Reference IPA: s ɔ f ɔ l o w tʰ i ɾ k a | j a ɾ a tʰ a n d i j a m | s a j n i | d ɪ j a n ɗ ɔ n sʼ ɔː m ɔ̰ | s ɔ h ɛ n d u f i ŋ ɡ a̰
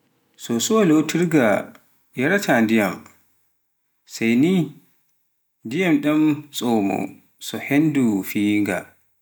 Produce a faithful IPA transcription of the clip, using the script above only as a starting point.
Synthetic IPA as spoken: s ɔ s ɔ l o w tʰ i ɾ ɡ a | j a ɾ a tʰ a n d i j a m | s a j n i | d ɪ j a m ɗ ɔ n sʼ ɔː m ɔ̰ | s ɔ h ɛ n d u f i ŋ ɡ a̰